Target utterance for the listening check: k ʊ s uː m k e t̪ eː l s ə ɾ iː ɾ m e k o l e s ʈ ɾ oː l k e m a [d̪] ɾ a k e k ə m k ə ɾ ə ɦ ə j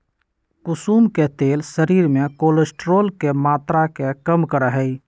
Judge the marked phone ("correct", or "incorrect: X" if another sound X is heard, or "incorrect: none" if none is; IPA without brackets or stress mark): incorrect: t̪